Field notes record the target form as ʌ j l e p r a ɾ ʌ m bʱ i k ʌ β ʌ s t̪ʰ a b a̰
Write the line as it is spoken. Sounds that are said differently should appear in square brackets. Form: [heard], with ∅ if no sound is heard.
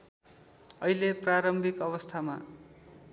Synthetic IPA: ʌ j l e p r a ɾ ʌ m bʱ i k ʌ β ʌ s t̪ʰ a [m] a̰